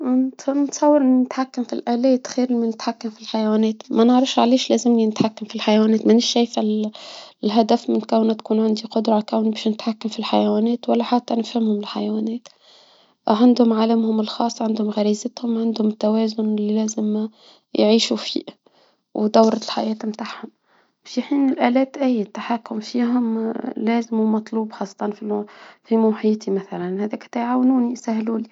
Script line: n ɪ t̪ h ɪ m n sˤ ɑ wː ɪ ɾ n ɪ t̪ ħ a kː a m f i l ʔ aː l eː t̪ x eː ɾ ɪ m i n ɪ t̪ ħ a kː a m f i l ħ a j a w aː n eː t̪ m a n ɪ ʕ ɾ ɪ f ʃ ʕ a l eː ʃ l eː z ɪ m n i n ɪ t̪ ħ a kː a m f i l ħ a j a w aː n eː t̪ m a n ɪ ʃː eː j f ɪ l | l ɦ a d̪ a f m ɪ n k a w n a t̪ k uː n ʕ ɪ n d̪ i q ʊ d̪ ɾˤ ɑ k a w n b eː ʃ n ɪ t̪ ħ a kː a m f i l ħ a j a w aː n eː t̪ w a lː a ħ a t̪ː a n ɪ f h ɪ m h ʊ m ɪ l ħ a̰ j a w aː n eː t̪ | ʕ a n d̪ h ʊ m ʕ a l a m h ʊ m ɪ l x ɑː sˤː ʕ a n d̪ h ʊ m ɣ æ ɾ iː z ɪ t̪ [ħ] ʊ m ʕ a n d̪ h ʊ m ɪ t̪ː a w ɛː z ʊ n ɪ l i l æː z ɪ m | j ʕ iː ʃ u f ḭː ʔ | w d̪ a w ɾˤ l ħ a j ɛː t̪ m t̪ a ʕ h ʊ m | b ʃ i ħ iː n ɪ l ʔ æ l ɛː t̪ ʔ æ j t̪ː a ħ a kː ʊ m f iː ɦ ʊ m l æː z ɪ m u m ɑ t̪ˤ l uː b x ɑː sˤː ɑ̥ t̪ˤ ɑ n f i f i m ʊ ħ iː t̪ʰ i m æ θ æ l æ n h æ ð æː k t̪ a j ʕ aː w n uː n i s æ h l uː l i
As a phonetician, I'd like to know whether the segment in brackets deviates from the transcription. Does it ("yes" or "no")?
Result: yes